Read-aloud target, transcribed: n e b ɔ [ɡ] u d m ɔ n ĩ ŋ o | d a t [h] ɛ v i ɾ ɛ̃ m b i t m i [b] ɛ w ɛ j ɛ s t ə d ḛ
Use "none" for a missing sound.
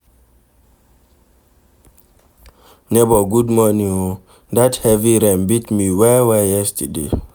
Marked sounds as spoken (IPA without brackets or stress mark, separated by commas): ɡ, h, w